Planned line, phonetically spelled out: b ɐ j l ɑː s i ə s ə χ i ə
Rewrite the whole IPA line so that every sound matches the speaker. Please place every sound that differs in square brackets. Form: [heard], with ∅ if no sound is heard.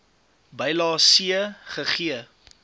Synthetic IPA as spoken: b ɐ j l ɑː s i ə [χ] ə χ i ə